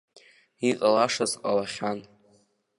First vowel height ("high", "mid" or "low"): high